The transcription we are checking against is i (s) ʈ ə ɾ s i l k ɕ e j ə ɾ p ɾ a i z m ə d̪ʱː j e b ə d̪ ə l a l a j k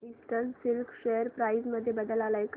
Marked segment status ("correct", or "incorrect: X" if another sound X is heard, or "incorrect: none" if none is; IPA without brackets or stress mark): correct